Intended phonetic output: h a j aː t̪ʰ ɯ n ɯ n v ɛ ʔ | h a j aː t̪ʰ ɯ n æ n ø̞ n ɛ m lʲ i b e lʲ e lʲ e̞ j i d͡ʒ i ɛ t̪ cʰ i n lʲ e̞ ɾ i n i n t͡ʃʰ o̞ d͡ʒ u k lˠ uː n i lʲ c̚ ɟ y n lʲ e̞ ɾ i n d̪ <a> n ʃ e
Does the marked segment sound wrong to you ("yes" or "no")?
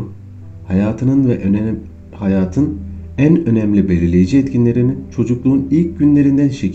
yes